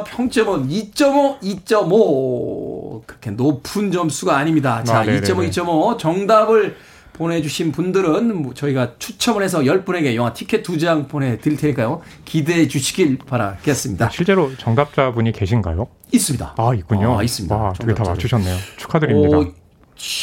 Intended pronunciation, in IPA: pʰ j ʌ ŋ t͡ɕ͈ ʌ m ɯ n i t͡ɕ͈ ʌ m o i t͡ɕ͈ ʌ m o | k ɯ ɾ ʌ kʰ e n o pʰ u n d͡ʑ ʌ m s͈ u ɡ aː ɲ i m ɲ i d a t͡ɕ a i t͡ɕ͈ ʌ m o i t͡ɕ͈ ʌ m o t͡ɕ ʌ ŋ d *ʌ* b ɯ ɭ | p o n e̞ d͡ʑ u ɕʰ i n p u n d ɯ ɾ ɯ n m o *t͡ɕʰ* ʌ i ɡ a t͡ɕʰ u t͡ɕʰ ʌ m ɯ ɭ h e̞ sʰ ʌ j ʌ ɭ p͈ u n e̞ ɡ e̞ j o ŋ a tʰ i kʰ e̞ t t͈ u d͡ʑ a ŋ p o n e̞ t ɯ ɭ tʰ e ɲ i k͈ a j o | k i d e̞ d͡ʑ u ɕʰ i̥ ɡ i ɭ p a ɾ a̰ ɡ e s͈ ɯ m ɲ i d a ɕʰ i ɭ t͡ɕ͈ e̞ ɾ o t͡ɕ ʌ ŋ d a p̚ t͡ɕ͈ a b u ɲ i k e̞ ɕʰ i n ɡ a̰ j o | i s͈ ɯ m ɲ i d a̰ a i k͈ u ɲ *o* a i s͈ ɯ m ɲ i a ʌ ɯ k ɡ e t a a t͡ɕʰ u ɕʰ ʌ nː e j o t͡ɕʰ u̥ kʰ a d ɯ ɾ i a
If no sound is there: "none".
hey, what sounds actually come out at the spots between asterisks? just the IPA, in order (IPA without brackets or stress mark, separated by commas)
a, t͡ɕ, o